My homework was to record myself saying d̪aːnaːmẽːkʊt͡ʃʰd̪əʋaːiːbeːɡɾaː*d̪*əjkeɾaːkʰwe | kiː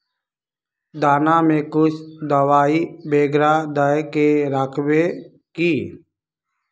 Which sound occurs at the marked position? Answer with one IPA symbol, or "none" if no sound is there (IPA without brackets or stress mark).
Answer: d̪